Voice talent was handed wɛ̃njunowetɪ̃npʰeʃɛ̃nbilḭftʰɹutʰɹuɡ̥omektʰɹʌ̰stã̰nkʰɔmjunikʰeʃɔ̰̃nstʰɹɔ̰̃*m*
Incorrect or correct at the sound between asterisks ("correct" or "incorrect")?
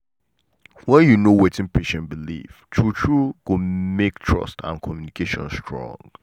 incorrect